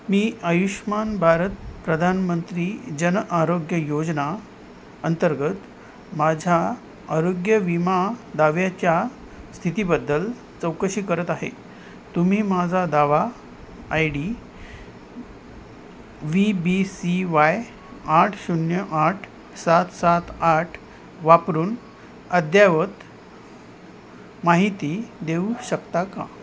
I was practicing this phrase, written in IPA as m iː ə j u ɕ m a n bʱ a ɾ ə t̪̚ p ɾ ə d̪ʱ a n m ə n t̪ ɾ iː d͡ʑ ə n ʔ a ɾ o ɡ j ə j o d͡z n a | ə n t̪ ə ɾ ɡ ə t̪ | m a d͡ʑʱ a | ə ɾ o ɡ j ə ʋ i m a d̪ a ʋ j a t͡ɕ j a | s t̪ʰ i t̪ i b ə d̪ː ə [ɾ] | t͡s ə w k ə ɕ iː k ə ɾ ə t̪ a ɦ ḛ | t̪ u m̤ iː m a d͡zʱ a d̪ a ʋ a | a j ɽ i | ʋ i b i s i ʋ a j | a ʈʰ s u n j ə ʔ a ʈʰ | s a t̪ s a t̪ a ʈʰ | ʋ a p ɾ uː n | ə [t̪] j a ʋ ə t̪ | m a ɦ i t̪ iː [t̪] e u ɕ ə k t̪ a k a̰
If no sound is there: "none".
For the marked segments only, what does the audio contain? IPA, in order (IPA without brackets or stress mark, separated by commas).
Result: l, d̪, d̪